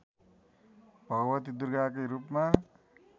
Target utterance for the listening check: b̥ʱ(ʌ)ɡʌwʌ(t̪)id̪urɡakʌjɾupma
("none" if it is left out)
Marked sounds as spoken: ʌ, t̪

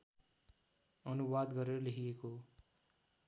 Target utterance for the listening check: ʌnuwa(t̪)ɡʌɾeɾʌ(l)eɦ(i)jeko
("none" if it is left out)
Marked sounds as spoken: d̪, l, i

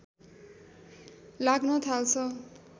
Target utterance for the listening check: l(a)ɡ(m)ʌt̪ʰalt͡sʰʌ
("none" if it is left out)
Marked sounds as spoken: a, n

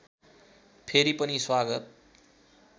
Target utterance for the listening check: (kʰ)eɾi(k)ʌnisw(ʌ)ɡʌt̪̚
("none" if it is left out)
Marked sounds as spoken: pʰ, p, a

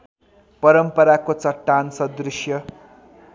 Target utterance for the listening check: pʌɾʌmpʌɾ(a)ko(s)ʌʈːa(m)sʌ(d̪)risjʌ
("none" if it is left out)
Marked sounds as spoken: a, t͡s, n, d̪

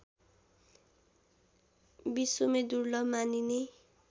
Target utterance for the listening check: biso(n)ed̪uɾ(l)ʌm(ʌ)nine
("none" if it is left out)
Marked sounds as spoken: m, l, a

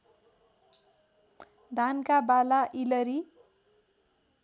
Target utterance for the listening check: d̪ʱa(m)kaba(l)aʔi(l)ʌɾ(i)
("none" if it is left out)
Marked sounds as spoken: n, l, l, i

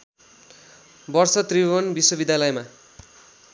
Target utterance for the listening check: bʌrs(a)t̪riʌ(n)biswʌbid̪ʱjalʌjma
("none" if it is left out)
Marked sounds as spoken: ʌ, n

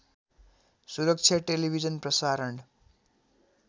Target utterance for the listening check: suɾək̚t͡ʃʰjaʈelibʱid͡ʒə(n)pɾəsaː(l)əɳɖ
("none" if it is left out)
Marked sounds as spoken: n, ɾ

